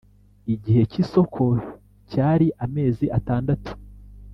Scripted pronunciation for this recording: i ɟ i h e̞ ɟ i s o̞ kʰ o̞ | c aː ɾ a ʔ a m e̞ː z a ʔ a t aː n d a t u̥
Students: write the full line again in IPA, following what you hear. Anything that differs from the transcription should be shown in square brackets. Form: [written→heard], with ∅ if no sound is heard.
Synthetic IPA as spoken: i ɟ i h e̞ [ɟ→c] i s o̞ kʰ o̞ | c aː ɾ [a→i] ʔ a m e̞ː z [a→i] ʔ a t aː n d a t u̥